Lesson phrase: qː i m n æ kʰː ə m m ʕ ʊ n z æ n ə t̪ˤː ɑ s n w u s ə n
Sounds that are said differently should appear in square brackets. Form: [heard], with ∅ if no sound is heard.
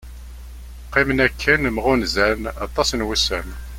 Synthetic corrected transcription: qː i m n æ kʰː ə [n] m [ʁ] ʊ n z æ n [ɑ] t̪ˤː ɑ s n w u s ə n

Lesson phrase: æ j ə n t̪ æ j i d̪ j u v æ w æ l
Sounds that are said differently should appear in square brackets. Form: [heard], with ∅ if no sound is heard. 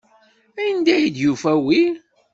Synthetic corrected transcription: æ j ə n [d̪] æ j i d̪ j u [f] æ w [i] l

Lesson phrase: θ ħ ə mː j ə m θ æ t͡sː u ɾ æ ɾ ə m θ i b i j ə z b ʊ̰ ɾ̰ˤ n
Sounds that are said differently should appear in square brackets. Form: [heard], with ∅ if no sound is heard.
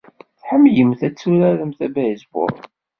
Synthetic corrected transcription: θ ħ ə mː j ə m θ æ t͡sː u ɾ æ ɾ ə m θ [æ] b [æ] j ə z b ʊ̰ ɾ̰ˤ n

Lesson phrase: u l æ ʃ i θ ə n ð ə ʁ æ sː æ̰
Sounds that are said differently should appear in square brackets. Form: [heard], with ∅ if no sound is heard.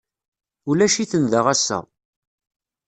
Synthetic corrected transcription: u l æ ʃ i θ ə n ð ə ʁ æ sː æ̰

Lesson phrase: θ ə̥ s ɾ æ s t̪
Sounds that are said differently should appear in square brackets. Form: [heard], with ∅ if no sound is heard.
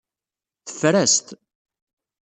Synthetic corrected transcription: θ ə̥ [f] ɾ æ s t̪

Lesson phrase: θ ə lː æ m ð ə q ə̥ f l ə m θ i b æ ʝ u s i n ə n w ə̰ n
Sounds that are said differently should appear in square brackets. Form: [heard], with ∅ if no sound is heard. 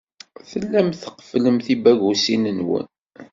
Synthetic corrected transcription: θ ə lː æ m [θ] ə q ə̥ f l ə m θ i b æ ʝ u s i n ə n w ə̰ n

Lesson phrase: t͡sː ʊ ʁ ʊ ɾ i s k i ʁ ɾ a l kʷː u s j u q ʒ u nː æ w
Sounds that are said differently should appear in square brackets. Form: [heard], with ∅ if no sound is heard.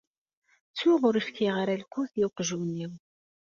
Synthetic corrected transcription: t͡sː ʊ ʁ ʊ ɾ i [f] k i ʁ ɾ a l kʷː u [θ] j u q ʒ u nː [i] w

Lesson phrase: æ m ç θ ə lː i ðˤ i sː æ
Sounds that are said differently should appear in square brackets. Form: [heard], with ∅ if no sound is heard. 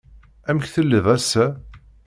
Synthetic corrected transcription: æ m ç θ ə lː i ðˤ [æ] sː æ

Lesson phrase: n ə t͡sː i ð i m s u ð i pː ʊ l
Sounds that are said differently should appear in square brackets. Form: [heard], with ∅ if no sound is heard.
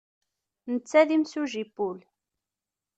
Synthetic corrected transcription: n ə t͡sː [æ] ð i m s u [ʒ] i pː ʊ l

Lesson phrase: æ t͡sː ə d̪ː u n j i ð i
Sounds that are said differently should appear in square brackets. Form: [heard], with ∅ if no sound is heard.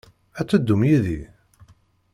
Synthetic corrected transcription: æ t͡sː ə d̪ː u [m] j i ð i

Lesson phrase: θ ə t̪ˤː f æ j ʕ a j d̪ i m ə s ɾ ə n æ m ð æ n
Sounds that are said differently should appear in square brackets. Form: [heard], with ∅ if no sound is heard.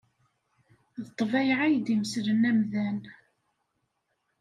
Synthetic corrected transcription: [ð] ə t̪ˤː [v] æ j ʕ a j d̪ i m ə s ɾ ə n æ m ð æ n

